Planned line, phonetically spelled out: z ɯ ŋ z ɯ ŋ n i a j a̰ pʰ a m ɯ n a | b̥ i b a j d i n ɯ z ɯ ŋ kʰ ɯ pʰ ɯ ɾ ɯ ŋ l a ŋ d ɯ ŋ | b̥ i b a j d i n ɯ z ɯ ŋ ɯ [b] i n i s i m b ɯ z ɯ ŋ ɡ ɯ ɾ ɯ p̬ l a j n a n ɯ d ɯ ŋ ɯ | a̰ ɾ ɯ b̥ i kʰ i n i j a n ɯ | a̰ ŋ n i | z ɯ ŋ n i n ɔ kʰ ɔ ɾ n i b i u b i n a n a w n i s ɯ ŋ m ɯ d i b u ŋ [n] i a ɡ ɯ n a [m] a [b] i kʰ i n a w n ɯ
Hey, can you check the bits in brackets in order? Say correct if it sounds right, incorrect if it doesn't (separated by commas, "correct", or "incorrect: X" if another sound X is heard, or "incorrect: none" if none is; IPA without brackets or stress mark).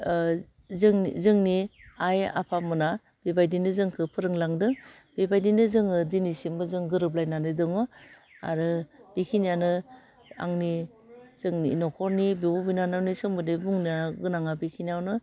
incorrect: d, correct, incorrect: ŋ, correct